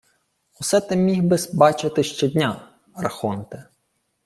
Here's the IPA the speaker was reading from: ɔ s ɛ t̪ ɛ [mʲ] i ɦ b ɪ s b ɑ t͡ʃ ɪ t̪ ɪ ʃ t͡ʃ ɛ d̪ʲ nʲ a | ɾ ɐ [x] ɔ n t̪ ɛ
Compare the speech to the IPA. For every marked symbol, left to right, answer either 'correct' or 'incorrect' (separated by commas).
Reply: correct, correct